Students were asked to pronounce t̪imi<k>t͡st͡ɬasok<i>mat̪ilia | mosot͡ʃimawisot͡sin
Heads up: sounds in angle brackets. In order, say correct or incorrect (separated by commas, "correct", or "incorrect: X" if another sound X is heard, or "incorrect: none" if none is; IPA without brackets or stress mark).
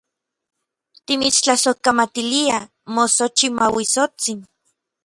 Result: incorrect: none, incorrect: a